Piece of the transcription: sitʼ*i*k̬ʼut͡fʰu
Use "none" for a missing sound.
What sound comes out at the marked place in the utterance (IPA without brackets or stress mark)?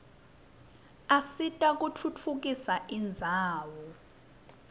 a